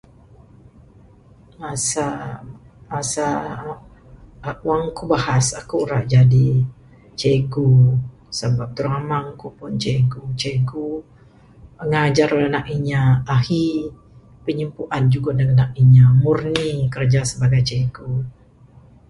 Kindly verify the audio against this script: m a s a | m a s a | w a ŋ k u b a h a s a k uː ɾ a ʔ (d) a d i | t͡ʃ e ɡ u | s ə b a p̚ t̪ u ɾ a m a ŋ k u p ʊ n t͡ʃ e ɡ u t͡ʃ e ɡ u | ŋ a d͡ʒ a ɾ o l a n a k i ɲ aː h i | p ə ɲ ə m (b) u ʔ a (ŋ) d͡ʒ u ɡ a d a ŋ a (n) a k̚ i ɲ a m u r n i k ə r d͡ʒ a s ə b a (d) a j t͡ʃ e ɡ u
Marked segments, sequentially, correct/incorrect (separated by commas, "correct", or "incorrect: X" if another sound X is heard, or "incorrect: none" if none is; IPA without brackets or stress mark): incorrect: d͡ʒ, incorrect: p, incorrect: n, correct, incorrect: ɡ